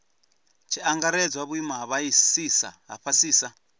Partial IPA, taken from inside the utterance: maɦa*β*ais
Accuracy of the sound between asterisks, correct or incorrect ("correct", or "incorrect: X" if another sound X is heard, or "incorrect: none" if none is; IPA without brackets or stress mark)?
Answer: correct